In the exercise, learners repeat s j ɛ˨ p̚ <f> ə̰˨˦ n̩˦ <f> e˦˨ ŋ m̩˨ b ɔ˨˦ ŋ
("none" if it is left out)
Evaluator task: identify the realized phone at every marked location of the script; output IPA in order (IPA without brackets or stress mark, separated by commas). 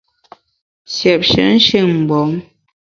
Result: ʃ, ʃ